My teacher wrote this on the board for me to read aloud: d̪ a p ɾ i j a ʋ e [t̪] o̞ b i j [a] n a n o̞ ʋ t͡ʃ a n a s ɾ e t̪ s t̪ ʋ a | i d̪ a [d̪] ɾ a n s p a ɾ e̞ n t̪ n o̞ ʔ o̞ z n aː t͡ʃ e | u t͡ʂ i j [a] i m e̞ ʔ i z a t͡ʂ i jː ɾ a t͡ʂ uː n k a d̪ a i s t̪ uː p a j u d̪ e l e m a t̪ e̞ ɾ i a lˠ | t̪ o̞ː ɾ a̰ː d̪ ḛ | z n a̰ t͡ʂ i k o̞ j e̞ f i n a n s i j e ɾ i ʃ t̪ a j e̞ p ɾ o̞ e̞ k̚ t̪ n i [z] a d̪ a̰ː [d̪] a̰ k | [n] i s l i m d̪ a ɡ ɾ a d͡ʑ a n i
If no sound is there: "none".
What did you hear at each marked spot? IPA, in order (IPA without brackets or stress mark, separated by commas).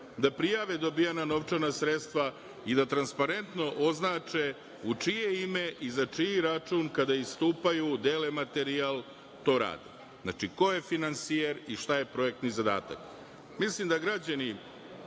d̪, a, t̪, e, z, t̪, m